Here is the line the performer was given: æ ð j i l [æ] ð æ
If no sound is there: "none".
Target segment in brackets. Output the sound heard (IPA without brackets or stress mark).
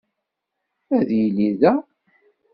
i